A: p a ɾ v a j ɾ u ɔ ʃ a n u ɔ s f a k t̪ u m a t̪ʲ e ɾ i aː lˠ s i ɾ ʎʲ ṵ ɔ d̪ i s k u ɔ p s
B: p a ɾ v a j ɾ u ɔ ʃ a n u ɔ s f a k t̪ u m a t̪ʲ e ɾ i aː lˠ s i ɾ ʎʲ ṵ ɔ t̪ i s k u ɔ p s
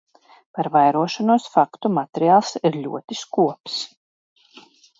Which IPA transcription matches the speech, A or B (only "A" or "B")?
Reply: B